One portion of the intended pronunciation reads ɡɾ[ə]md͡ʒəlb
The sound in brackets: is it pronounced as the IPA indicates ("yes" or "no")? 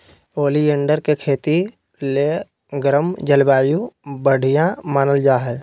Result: yes